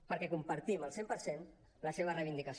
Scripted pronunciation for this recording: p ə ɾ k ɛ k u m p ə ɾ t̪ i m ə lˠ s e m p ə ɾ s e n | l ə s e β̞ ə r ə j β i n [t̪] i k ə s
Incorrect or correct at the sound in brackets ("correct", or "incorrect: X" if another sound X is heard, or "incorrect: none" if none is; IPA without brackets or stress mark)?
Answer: incorrect: d̪